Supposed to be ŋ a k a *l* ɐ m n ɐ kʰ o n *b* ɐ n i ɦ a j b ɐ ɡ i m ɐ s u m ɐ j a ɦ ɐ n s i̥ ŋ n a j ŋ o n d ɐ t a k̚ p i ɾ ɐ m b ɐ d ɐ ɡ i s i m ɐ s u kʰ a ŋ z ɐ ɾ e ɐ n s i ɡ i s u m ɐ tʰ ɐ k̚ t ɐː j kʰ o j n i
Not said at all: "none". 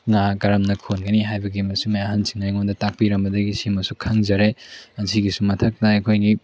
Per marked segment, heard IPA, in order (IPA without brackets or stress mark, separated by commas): ɾ, ɡ